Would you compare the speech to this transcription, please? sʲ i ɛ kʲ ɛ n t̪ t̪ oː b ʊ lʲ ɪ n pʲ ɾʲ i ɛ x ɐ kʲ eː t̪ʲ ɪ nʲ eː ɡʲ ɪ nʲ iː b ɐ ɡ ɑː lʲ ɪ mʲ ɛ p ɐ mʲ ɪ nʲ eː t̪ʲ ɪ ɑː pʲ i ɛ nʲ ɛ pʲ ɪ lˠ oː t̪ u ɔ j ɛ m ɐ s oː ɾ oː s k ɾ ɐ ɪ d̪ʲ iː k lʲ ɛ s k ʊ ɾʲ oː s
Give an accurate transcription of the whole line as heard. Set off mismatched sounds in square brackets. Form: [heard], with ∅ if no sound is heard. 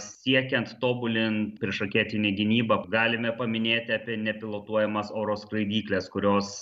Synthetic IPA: sʲ i ɛ kʲ ɛ n t̪ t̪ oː b ʊ lʲ ɪ n pʲ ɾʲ i ɛ [ʃ] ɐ kʲ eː t̪ʲ ɪ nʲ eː ɡʲ ɪ nʲ iː b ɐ ɡ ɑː lʲ ɪ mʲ ɛ p ɐ mʲ ɪ nʲ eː t̪ʲ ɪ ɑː pʲ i ɛ nʲ ɛ pʲ ɪ lˠ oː t̪ u ɔ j ɛ m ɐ s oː ɾ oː s k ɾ ɐ ɪ d̪ʲ iː k lʲ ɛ s k ʊ ɾʲ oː s

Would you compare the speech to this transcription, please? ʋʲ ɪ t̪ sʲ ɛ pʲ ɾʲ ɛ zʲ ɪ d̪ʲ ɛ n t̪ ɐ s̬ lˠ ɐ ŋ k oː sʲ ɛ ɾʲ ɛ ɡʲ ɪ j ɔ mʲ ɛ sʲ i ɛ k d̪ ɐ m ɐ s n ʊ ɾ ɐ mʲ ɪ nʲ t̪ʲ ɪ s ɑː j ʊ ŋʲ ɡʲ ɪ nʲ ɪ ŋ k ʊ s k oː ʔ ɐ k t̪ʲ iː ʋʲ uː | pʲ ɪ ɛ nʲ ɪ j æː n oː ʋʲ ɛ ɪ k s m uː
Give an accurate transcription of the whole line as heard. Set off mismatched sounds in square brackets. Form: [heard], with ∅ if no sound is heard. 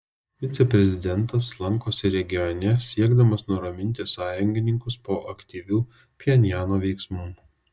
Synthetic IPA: ʋʲ ɪ t̪ sʲ ɛ pʲ ɾʲ ɛ zʲ ɪ d̪ʲ ɛ n t̪ ɐ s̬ lˠ ɐ ŋ k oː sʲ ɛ ɾʲ ɛ ɡʲ ɪ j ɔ [nʲ] ɛ sʲ i ɛ [ɡ] d̪ ɐ m ɐ s n ʊ ɾ ɐ mʲ ɪ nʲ t̪ʲ ɪ s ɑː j ʊ ŋʲ ɡʲ ɪ nʲ ɪ ŋ k ʊ s [p] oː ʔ ɐ k t̪ʲ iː ʋʲ uː | pʲ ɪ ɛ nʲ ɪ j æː n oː ʋʲ ɛ ɪ k s m uː

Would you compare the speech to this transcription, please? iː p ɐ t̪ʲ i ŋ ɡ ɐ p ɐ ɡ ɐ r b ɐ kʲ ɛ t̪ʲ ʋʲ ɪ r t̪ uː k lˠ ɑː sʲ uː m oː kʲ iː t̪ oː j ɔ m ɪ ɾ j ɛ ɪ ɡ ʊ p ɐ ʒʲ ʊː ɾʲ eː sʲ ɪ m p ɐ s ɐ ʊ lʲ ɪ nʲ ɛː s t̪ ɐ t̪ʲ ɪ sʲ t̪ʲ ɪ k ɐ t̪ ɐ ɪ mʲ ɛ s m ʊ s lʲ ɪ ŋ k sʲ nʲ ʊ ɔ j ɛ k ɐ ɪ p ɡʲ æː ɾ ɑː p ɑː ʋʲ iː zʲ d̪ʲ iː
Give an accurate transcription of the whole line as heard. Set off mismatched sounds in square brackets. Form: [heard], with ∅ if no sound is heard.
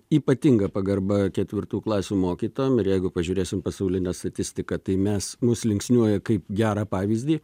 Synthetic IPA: iː p ɐ t̪ʲ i ŋ ɡ ɐ p ɐ ɡ ɐ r b ɐ kʲ ɛ t̪ʲ ʋʲ ɪ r t̪ uː k lˠ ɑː sʲ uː m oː kʲ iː t̪ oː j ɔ m ɪ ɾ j ɛ ɪ ɡ ʊ p ɐ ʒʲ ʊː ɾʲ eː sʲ ɪ m p ɐ s ɐ ʊ lʲ ɪ nʲ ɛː s t̪ ɐ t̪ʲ ɪ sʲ t̪ʲ ɪ k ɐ t̪ ɐ ɪ mʲ ɛ s m ʊ s lʲ ɪ ŋ k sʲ nʲ [u] ɔ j ɛ k ɐ ɪ p ɡʲ æː ɾ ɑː p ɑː ʋʲ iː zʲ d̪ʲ iː

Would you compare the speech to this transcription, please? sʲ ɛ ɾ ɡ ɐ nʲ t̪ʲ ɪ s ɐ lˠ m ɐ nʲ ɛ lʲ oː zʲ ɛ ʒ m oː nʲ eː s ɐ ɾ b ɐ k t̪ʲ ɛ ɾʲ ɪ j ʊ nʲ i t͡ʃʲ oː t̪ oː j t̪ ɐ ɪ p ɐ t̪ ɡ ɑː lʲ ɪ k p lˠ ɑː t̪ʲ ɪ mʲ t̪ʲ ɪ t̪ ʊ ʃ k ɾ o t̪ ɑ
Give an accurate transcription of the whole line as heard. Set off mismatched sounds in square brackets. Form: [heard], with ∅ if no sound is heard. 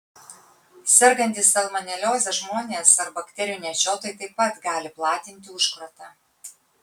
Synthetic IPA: sʲ ɛ ɾ ɡ ɐ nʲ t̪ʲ ɪ s ɐ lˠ m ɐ nʲ ɛ lʲ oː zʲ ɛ ʒ m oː nʲ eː s ɐ ɾ b ɐ k t̪ʲ ɛ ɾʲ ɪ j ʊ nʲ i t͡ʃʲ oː t̪ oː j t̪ ɐ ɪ p ɐ t̪ ɡ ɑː lʲ ɪ [∅] p lˠ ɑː t̪ʲ ɪ [nʲ] t̪ʲ ɪ [∅] ʊ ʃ k ɾ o t̪ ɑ

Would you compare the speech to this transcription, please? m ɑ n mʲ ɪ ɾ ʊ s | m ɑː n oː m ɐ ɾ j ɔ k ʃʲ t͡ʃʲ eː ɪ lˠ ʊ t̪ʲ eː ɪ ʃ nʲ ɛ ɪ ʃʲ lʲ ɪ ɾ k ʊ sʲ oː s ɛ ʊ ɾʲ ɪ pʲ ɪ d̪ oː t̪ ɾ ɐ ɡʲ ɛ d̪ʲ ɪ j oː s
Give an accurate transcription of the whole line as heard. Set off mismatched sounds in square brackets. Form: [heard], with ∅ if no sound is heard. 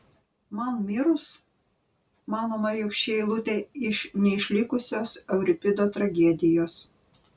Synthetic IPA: m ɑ n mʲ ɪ ɾ ʊ s | m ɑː n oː m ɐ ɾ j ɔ k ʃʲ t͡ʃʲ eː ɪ lˠ ʊ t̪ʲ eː ɪ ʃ nʲ ɛ ɪ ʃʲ lʲ ɪ [∅] k ʊ sʲ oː s ɛ ʊ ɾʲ ɪ pʲ ɪ d̪ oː t̪ ɾ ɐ ɡʲ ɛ d̪ʲ ɪ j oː s

